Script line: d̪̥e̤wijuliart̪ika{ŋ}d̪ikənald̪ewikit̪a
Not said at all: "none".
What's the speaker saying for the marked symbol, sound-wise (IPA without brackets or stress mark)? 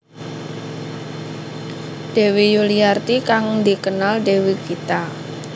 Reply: ŋ